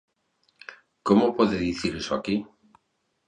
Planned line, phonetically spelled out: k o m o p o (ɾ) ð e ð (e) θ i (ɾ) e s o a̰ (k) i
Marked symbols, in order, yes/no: no, no, yes, yes

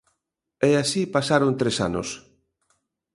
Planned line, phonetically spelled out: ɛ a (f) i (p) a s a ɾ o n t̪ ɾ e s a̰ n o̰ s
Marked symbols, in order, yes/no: no, yes

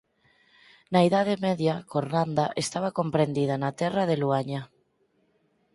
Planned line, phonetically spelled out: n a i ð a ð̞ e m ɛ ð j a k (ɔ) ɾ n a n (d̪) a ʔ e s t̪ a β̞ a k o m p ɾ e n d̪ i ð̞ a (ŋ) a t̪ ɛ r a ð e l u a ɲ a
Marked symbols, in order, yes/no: no, yes, no

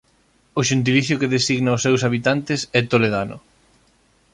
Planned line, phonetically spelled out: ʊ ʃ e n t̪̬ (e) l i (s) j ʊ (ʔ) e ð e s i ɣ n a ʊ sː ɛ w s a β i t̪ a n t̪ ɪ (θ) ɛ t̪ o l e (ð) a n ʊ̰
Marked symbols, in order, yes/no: no, no, no, no, yes

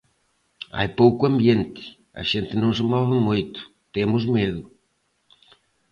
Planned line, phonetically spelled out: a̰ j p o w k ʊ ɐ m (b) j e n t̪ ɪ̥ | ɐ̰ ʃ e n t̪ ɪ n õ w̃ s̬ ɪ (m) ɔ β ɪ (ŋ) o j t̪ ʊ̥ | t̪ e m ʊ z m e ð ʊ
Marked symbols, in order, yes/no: yes, yes, no

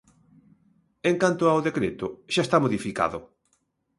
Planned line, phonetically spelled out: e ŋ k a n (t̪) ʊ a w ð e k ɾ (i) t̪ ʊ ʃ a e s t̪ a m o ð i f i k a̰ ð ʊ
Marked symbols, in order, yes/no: yes, no

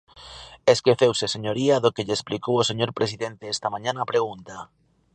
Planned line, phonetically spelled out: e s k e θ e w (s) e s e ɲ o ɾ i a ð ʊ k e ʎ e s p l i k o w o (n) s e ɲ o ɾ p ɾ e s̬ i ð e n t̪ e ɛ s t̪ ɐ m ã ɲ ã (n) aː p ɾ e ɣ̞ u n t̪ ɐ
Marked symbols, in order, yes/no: yes, no, yes

